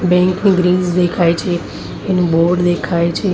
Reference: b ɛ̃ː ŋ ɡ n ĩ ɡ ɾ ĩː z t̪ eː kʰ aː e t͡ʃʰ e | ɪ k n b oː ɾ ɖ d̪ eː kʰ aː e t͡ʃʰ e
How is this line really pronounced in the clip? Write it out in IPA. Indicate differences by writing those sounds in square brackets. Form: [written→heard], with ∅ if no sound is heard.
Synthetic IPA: b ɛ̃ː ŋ [ɡ→k] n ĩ ɡ ɾ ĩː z [t̪→d̪] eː kʰ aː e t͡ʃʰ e | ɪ [k→∅] n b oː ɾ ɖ d̪ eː kʰ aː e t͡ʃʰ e

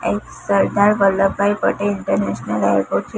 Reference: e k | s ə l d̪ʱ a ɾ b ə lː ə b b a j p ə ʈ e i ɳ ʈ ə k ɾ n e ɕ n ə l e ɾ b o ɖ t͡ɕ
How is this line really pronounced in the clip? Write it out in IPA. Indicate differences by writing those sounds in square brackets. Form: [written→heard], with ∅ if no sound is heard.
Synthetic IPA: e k | s ə [l→ɾ] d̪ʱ a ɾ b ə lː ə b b a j p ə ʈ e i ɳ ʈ ə [k→∅] ɾ n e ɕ n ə l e ɾ [b→p] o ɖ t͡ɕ

